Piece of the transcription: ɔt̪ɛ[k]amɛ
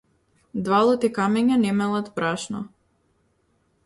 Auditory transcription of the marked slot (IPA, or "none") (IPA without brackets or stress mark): k